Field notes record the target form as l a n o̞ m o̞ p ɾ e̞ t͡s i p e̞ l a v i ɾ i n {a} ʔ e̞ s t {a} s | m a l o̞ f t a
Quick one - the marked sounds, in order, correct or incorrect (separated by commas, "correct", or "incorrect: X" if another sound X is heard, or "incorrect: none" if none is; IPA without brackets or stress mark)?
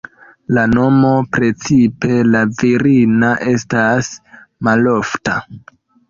correct, correct